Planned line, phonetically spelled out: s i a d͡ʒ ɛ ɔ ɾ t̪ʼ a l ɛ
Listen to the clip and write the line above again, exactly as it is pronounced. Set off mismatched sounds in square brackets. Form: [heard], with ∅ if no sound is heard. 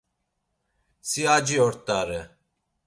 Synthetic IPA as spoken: s i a d͡ʒ [i] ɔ ɾ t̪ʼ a [ɾ] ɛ